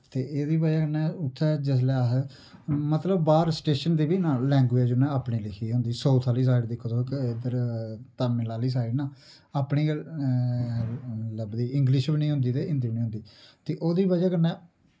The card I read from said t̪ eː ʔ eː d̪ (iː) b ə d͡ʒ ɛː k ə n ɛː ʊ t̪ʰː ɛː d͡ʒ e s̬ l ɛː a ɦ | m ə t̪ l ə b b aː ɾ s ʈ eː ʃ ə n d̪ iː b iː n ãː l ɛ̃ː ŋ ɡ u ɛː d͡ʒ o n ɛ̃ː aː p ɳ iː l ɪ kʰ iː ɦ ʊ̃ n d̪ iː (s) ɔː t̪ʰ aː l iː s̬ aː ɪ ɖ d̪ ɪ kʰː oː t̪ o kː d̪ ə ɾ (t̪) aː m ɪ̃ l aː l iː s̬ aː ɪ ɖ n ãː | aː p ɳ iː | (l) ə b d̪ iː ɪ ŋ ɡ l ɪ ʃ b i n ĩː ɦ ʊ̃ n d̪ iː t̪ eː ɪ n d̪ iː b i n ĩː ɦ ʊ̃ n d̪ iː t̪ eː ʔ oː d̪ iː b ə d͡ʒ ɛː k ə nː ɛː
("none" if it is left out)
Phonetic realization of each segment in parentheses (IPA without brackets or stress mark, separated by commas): iː, s, t̪, l